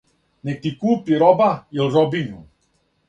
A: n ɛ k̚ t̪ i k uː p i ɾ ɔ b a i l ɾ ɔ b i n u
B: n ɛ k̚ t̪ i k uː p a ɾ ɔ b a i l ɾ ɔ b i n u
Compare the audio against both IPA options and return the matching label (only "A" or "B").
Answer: A